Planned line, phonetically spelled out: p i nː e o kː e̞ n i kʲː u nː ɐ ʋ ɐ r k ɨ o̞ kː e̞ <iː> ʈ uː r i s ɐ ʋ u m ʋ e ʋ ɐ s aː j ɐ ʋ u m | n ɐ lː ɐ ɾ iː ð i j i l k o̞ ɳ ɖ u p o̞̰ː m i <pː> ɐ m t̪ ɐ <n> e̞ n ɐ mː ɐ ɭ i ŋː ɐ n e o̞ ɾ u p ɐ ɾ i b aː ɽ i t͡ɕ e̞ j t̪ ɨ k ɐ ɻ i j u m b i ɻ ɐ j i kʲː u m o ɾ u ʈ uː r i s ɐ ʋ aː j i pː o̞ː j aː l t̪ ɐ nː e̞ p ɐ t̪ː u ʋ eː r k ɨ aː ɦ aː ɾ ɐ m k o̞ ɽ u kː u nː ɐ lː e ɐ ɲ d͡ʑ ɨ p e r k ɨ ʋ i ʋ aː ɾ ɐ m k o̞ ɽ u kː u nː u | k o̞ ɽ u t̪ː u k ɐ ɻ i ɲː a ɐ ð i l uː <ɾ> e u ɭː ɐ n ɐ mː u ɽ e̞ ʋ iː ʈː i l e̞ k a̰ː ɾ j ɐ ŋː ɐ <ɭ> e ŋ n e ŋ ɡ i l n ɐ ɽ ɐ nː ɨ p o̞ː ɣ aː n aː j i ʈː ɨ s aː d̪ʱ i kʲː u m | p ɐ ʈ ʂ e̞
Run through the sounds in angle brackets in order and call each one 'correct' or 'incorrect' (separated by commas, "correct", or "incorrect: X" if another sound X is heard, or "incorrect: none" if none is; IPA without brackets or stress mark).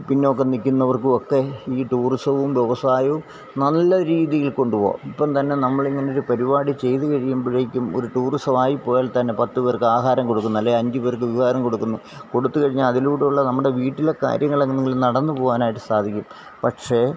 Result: correct, correct, incorrect: nː, incorrect: ɽ, correct